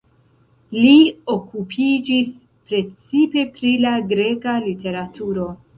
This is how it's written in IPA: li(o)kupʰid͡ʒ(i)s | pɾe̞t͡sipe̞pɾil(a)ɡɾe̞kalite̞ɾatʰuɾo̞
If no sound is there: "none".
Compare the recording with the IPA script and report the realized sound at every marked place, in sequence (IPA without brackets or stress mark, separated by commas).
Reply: o, i, a